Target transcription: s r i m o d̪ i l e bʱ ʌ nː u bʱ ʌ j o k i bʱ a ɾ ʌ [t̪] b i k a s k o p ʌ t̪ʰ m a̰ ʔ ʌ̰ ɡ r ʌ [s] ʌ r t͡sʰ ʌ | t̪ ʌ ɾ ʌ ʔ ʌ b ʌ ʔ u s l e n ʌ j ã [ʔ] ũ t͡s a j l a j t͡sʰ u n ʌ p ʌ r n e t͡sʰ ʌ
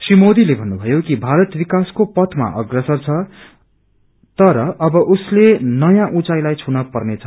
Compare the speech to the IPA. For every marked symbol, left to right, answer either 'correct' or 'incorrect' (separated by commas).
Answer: correct, correct, correct